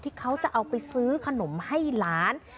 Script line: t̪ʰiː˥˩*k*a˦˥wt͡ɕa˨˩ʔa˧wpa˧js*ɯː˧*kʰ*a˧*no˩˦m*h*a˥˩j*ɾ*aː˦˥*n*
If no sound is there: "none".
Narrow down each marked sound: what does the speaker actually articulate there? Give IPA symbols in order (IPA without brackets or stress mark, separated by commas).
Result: kʰ, ɯː˦˥, a˧, h, l, n